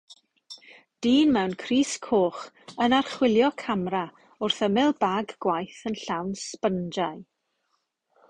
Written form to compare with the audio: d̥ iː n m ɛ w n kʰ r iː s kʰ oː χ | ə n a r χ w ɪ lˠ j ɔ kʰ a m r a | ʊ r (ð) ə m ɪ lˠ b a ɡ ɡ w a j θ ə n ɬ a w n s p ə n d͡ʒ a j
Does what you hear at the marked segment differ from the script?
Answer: yes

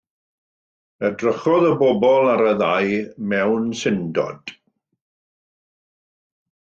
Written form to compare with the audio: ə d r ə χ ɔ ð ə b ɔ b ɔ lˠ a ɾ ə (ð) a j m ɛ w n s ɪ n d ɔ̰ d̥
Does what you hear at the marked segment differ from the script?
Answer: no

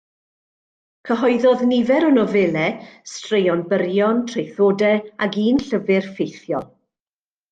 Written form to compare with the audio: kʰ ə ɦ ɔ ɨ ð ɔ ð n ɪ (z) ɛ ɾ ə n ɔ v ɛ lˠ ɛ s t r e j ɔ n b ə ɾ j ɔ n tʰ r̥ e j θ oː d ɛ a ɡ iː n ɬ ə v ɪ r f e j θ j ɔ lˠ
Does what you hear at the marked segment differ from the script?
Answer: yes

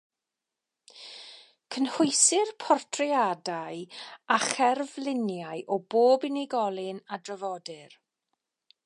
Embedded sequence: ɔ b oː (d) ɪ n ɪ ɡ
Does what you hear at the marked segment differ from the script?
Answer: yes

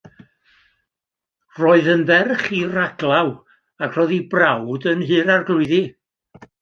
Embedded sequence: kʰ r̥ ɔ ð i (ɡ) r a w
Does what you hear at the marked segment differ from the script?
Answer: yes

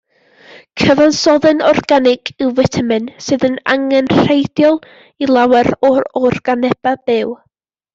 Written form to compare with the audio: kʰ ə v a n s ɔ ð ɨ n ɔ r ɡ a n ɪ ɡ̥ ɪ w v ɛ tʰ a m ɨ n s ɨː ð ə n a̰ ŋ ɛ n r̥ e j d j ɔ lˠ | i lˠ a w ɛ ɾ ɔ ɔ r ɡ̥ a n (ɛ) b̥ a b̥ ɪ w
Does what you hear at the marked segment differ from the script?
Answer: no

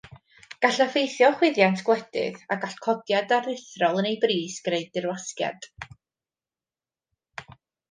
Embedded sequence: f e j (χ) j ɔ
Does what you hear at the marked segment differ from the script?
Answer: yes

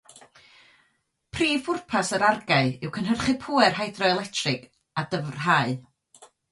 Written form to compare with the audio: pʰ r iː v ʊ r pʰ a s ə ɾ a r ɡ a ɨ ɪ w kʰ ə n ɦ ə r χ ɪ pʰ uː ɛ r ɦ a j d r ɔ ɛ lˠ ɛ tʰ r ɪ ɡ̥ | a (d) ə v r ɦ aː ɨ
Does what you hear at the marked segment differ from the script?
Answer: no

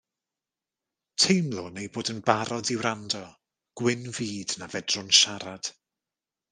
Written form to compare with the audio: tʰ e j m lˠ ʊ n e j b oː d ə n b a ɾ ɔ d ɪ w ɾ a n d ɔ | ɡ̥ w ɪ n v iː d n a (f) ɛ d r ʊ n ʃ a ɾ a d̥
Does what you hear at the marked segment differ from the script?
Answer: yes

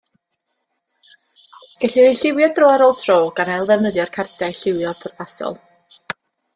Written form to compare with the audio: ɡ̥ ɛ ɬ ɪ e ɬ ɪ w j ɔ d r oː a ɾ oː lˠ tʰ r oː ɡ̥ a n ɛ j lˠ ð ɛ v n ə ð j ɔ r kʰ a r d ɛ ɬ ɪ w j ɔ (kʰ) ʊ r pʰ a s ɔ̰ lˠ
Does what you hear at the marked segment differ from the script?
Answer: yes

